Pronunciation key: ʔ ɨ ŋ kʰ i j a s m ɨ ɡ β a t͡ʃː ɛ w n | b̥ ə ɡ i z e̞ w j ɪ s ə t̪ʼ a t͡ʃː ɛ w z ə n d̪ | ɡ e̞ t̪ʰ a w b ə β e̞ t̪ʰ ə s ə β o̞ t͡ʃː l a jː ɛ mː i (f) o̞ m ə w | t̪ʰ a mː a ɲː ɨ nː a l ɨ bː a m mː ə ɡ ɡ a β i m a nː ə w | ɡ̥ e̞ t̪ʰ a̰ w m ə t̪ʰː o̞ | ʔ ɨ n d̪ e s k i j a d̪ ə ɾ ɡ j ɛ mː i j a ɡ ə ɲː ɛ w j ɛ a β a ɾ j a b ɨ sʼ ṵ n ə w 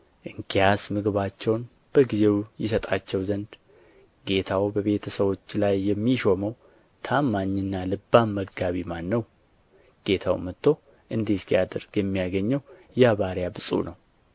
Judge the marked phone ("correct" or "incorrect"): incorrect